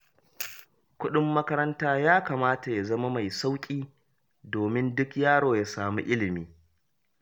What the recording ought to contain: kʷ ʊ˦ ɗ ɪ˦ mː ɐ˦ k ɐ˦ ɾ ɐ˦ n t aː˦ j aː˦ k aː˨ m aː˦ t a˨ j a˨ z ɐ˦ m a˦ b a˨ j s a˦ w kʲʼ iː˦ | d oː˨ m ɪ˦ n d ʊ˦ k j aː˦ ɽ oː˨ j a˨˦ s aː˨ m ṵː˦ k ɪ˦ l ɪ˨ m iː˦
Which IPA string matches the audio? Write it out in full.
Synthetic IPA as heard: kʷ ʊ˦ ɗ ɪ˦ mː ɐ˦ k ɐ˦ ɾ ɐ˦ n t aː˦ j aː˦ k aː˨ m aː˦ t a˨ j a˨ z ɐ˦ m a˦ m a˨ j s a˦ w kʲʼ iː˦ | d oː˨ m ɪ˦ n d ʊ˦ k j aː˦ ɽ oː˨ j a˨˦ s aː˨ m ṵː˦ ʔ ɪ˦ l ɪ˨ m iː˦